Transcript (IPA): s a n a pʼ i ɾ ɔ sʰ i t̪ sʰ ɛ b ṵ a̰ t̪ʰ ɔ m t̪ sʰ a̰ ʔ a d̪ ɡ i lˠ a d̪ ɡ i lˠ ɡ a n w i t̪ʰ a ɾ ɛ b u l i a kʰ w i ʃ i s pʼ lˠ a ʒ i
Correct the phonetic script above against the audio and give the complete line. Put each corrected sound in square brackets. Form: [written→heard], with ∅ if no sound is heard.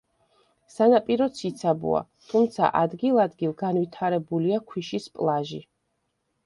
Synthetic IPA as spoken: s a n a pʼ i ɾ ɔ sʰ i t̪ sʰ [ɛ→a] b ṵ a̰ t̪ʰ [ɔ→u] m t̪ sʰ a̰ ʔ a d̪ ɡ i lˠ a d̪ ɡ i lˠ ɡ a n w i t̪ʰ a ɾ ɛ b u l i a kʰ w i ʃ i s pʼ lˠ a ʒ i